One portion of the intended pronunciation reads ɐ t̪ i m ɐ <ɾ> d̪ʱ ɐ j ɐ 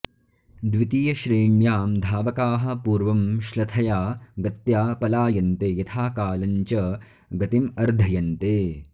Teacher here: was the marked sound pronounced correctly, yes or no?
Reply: yes